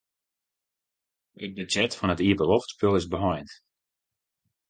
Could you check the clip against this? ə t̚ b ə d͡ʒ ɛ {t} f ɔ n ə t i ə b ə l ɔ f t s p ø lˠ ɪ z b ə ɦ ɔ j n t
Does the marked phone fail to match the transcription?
no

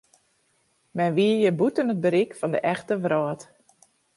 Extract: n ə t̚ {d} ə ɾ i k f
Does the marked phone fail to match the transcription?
yes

